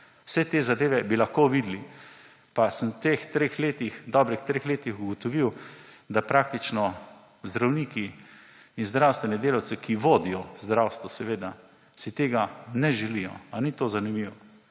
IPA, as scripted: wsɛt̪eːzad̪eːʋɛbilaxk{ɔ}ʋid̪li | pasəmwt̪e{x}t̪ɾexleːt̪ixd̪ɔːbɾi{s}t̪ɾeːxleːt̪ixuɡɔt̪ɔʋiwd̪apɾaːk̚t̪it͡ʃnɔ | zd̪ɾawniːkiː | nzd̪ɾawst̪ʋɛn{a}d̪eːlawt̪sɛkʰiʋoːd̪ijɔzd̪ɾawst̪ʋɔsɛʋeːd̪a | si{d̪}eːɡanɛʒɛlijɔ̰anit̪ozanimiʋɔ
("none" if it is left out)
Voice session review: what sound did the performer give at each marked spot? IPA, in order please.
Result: o, x, x, ɛ, t̪

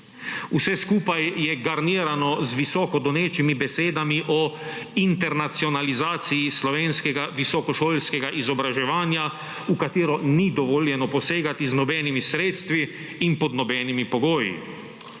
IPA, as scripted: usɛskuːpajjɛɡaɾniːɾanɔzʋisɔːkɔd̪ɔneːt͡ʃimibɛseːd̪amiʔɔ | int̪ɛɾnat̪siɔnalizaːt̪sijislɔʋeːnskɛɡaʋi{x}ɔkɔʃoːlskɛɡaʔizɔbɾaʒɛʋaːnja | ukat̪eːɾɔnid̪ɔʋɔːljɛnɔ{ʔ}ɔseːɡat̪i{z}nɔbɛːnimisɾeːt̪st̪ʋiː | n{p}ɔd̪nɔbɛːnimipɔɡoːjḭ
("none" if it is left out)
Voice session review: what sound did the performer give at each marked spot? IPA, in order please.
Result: s, p, z, p

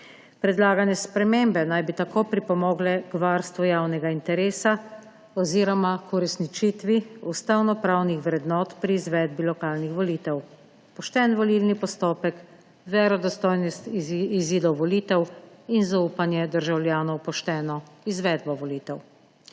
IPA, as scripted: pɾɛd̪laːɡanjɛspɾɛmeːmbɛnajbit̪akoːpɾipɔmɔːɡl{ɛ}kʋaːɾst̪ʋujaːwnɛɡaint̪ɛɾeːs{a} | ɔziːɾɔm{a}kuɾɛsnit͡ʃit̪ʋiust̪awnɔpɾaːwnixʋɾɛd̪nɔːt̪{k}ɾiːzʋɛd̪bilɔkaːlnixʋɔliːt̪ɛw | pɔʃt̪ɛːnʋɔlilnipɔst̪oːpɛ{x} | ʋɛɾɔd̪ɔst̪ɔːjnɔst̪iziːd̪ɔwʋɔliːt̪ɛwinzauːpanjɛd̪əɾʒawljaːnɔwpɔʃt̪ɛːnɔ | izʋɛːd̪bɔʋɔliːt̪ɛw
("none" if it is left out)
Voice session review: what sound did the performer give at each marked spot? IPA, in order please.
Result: ɛ, a, a, p, k

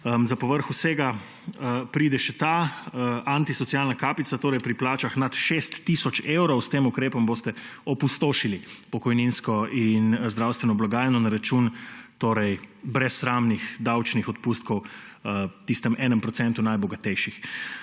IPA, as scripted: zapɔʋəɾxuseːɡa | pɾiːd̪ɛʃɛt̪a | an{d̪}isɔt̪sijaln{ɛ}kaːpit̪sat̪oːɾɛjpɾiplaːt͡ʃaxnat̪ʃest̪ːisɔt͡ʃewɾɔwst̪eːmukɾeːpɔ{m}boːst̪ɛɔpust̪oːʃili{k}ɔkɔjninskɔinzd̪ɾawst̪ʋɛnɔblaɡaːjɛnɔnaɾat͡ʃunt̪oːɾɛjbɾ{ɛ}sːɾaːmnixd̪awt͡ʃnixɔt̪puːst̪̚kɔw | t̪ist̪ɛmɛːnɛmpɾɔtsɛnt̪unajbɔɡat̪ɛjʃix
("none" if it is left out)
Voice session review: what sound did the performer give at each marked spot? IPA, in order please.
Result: t̪, a, m, p, ɛ

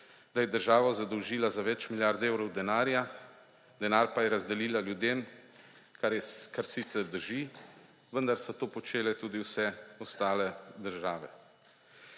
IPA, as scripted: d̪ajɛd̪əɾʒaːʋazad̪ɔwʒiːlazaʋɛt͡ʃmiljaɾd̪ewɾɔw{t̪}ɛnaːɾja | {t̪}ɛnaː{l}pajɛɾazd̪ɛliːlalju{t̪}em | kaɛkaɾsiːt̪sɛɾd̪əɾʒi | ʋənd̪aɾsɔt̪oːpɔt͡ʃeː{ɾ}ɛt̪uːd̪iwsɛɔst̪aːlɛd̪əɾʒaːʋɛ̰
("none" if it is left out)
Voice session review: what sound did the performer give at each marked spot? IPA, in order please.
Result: d̪, d̪, ɾ, d̪, l

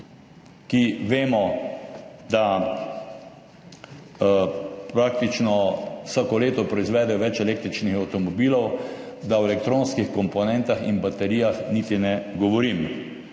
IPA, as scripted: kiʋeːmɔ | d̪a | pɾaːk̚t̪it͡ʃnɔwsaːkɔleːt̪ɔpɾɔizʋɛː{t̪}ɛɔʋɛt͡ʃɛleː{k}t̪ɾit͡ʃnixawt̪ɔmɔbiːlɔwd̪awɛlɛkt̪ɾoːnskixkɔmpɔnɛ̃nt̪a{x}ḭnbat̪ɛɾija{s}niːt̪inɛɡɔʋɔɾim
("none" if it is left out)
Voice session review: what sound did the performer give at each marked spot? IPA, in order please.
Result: d̪, k, x, x

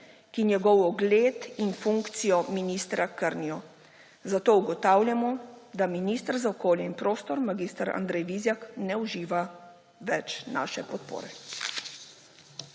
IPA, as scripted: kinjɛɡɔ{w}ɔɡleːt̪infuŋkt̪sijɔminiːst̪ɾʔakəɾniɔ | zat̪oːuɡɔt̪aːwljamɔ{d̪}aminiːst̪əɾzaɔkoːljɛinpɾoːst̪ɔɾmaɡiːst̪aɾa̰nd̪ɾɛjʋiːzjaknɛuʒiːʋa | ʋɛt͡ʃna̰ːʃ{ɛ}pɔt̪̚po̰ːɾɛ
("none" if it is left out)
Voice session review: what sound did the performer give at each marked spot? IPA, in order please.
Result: w, d̪, ɛ

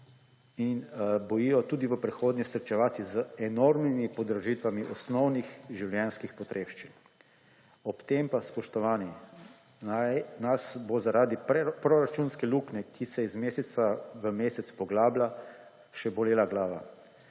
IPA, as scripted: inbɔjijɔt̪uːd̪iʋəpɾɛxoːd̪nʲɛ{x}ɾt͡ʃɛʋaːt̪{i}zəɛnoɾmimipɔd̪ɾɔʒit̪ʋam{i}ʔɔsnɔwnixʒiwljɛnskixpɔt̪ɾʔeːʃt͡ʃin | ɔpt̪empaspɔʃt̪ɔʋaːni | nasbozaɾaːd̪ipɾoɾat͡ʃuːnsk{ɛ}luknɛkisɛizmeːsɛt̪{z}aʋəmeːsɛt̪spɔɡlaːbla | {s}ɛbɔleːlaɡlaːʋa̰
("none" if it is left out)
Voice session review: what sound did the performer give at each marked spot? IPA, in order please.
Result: s, i, i, ɛ, s, ʃ

